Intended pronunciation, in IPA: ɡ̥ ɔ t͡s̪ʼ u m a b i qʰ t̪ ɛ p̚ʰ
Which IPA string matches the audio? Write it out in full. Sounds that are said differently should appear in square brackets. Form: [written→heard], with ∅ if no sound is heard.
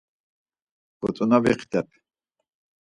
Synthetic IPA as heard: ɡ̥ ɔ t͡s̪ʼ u [m→n] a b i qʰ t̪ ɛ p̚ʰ